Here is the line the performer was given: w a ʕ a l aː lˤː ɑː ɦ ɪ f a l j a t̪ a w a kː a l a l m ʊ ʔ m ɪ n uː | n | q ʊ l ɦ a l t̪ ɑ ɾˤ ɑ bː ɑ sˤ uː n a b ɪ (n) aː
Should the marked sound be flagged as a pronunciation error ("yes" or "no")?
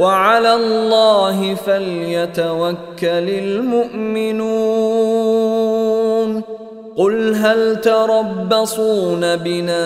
no